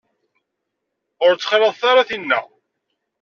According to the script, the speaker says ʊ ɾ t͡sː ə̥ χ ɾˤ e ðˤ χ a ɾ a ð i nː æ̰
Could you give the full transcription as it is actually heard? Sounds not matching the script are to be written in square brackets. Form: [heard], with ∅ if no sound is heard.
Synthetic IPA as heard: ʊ ɾ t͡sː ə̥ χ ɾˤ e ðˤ [θ] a ɾ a [θ] i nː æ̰